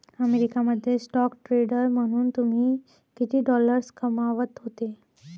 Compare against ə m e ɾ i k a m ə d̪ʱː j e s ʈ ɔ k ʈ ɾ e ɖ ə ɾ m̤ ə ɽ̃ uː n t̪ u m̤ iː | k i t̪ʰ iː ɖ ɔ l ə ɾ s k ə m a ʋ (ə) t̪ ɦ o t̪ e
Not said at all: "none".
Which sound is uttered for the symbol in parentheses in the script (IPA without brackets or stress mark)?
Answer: ə